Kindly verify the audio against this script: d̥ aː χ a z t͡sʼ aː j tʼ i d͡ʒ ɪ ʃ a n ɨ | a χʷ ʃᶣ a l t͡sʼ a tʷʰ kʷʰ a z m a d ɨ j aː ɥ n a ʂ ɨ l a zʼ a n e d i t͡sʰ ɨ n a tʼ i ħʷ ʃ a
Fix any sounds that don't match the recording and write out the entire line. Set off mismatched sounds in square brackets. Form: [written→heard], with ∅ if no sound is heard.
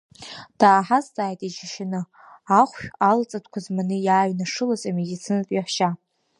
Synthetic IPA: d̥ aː [χ→ħ] a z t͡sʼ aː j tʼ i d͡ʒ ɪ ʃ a n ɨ | a χʷ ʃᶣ a l t͡sʼ a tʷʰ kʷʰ a z m a [d→n] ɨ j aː ɥ n a ʂ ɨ l a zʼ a [n→m] e d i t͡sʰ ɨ n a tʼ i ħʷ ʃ a